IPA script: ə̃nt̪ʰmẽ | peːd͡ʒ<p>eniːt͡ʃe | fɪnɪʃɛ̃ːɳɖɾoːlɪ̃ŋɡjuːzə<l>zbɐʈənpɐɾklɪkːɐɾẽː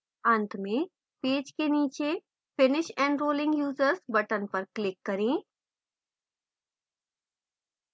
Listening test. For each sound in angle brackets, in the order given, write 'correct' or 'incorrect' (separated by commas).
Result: incorrect, incorrect